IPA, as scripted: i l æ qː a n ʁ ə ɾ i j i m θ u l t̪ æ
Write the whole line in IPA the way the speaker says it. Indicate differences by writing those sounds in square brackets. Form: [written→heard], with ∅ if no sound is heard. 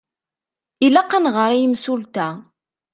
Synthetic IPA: i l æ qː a n ʁ ə ɾ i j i m [θ→s] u l t̪ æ